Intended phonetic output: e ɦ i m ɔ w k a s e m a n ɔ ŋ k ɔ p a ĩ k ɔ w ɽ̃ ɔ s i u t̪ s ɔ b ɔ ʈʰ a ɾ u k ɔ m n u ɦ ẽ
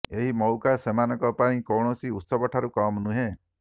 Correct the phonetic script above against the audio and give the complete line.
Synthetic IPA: e ɦ i m ɔ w k a s e m a n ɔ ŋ k ɔ p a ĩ k ɔ w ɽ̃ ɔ s i u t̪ s ɔ b ɔ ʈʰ a ɾ u k ɔ m n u ɦ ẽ

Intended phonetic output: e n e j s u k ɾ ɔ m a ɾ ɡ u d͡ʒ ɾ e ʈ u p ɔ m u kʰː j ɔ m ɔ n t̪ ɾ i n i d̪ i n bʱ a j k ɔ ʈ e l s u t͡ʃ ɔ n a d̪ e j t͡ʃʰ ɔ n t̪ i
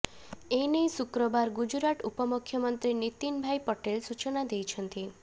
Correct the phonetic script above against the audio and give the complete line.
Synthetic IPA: e n e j s u k ɾ ɔ b a ɾ ɡ u d͡ʒ ɾ a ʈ u p ɔ m u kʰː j ɔ m ɔ n t̪ ɾ i n i t̪ i n bʱ a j p ɔ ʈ e l s u t͡ʃ ɔ n a d̪ e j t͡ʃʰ ɔ n t̪ i

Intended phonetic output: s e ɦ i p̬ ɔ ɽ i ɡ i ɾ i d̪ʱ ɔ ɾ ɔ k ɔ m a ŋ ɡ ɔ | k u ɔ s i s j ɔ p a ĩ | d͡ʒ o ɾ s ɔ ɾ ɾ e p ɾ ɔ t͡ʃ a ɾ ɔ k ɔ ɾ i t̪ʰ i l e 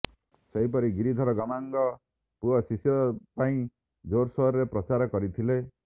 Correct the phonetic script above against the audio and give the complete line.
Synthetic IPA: s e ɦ i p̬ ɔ ɾ i ɡ i ɾ i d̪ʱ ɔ ɾ ɔ ɡ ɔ m a ŋ ɡ ɔ | p u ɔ s i s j ɔ p a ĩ | d͡ʒ o ɾ s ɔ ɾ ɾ e p ɾ ɔ t͡ʃ a ɾ ɔ k ɔ ɾ i t̪ʰ i l e

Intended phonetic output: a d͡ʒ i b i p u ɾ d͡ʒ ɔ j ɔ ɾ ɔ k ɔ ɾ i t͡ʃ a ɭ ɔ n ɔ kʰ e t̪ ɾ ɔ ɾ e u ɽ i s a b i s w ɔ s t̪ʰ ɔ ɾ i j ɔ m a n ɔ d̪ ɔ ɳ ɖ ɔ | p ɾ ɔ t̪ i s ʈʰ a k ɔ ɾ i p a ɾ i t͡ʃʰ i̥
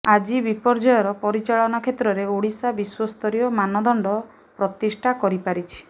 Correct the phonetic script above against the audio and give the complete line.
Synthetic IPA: a d͡ʒ i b i p ɔ ɾ d͡ʒ ɔ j ɔ ɾ ɔ p ɔ ɾ i t͡ʃ a ɭ ɔ n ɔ kʰ e t̪ ɾ ɔ ɾ e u ɽ i s a b i s w ɔ s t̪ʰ ɔ ɾ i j ɔ m a n ɔ d̪ ɔ ɳ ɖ ɔ | p ɾ ɔ t̪ i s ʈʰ a k ɔ ɾ i p a ɾ i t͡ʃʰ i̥

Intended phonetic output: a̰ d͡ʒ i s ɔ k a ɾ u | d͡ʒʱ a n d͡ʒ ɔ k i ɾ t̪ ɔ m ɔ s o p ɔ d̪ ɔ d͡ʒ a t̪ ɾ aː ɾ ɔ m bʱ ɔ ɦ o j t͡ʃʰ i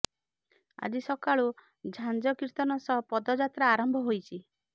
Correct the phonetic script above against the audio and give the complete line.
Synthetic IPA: a̰ d͡ʒ i s ɔ k a ɭ u | d͡ʒʱ a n d͡ʒ ɔ k i ɾ t̪ ɔ n ɔ s ɔ p ɔ d̪ ɔ d͡ʒ a t̪ ɾ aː ɾ ɔ m bʱ ɔ ɦ o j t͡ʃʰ i

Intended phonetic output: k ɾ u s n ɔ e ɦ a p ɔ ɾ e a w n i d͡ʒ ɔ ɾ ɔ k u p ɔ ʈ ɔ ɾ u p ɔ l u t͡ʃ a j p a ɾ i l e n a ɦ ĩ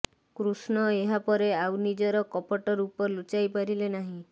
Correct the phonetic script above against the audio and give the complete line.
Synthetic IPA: k ɾ u s n ɔ e ɦ a p ɔ ɾ e a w n i d͡ʒ ɔ ɾ ɔ k ɔ p ɔ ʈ ɔ ɾ u p ɔ l u t͡ʃ a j p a ɾ i l e n a ɦ ĩ

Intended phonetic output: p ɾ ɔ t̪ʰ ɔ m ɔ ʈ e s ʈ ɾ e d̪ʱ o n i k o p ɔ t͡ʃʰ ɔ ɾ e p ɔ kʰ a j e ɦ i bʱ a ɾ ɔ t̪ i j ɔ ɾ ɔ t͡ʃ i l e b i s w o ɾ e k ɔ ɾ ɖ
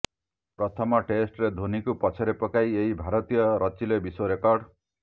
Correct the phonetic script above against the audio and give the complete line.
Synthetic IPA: p ɾ ɔ t̪ʰ ɔ m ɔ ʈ e s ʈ ɾ e d̪ʱ o n i k u p ɔ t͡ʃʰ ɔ ɾ e p ɔ k a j e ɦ i bʱ a ɾ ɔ t̪ i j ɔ ɾ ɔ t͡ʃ i l e b i s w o ɾ e k ɔ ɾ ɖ

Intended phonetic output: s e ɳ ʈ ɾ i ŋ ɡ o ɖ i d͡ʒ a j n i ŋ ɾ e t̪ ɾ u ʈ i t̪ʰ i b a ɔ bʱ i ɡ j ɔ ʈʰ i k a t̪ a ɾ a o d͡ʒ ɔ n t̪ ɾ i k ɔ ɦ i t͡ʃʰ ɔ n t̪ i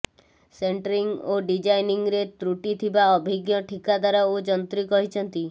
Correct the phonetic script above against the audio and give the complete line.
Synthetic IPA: s e ɳ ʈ ɾ i ŋ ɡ o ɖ i d͡ʒ a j n i ŋ ɾ e t̪ ɾ u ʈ i t̪ʰ i b a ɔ bʱ i ɡ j ɔ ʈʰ i k a d̪ a ɾ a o d͡ʒ ɔ n t̪ ɾ i k ɔ ɦ i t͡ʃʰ ɔ n t̪ i

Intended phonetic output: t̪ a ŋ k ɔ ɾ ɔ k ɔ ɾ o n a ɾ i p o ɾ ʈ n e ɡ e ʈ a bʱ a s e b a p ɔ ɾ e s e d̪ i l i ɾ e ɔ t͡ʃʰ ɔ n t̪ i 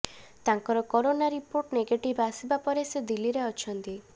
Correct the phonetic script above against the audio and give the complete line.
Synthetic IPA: t̪ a ŋ k ɔ ɾ ɔ k ɔ ɾ o n a ɾ i p o ɾ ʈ n e ɡ e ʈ i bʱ a s i b a p ɔ ɾ e s e d̪ i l i ɾ e ɔ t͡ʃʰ ɔ n t̪ i

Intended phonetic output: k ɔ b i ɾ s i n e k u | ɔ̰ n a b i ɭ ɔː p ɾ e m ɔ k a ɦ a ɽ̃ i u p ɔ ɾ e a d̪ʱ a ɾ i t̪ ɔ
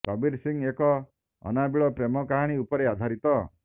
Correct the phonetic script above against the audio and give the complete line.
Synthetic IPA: k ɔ b i ɾ s i ŋ e k ɔ | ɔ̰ n a b i ɭ ɔ p ɾ e m ɔ k a ɦ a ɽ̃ i u p ɔ ɾ e a d̪ʱ a ɾ i t̪ ɔ

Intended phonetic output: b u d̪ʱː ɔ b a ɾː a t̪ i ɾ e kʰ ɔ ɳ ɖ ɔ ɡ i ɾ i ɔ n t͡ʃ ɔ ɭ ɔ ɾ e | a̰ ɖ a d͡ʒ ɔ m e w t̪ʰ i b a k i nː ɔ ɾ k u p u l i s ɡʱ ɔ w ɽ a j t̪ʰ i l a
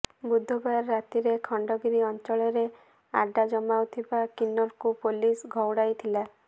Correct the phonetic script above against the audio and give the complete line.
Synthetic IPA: b u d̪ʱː ɔ b a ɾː a t̪ i ɾ e kʰ ɔ ɳ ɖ ɔ ɡ i ɾ i ɔ n t͡ʃ ɔ ɭ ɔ ɾ e | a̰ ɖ a d͡ʒ ɔ m a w t̪ʰ i b a k i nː ɔ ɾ k u p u l i s ɡʱ ɔ w ɽ a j t̪ʰ i l a

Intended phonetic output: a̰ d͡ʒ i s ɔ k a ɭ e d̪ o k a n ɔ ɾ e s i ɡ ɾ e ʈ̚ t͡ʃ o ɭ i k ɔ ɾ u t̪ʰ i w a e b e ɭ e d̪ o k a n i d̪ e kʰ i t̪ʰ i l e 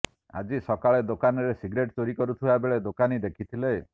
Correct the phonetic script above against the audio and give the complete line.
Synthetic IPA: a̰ d͡ʒ i s ɔ k a ɭ e d̪ o k a n ɔ ɾ e s i ɡ ɾ e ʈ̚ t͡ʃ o ɾ i k ɔ ɾ u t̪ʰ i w a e b e ɭ e d̪ o k a n i d̪ e kʰ i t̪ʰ i l e

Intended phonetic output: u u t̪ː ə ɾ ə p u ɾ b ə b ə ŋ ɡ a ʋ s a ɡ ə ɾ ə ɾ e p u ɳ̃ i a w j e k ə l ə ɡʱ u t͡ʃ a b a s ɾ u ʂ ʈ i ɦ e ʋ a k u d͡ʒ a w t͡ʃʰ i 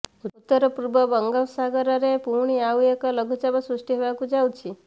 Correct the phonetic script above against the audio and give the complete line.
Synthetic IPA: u u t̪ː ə ɾ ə p u ɾ b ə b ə ŋ ɡ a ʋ s a ɡ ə ɾ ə ɾ e p u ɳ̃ i a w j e k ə l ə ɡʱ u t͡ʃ a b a s ɾ u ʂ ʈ i ɦ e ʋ a k u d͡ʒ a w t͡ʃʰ i

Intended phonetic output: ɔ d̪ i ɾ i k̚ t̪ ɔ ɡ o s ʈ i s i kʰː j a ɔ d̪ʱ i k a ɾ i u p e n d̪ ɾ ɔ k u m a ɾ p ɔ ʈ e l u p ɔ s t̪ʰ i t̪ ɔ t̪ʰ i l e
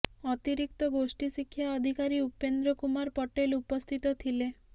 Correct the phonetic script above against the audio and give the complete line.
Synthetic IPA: ɔ t̪ i ɾ i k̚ t̪ ɔ ɡ o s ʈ i s i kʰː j a ɔ d̪ʱ i k a ɾ i u p e n d̪ ɾ ɔ k u m a ɾ p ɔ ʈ e l u p ɔ s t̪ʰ i t̪ ɔ t̪ʰ i l e

